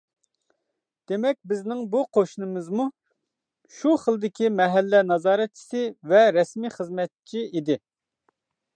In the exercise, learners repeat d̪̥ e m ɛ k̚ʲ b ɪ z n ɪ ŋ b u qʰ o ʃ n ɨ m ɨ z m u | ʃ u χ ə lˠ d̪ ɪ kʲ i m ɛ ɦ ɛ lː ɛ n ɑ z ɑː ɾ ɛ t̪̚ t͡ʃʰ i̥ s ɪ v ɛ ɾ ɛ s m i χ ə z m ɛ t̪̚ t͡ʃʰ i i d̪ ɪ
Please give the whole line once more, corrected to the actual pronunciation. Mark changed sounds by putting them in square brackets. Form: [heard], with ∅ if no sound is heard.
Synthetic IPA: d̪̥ e m ɛ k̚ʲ b ɪ z n ɪ ŋ b u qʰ o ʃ n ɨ m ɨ z m u | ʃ u χ ə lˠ d̪ ɪ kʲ i m ɛ ɦ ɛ lː ɛ n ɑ z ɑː ɾ ɛ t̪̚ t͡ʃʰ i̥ s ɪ v ɛ ɾ ɛ s m i χ ə z m ɛ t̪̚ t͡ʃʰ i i d̪ ɪ